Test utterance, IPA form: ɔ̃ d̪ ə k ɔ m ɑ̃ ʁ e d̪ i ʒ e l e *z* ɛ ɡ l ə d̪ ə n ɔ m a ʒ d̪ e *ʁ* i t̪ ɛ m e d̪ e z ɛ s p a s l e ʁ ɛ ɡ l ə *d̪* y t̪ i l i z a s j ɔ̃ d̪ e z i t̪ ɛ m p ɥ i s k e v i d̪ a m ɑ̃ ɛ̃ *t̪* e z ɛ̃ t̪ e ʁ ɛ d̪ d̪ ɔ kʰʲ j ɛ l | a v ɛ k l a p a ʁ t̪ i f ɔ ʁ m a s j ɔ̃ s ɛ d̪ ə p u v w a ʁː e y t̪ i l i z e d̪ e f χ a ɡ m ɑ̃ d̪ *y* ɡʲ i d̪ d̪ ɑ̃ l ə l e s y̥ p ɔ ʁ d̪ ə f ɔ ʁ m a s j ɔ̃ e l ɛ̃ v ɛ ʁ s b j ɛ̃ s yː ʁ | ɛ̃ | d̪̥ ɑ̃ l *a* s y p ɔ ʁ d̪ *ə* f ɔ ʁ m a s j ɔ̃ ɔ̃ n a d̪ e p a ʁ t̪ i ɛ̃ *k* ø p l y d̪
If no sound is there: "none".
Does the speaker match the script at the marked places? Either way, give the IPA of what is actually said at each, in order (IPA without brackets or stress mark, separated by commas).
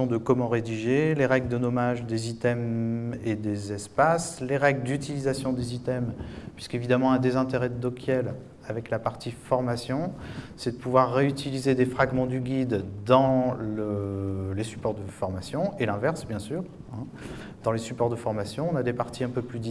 ʁ, z, d̪, d̪, y, e, ə, p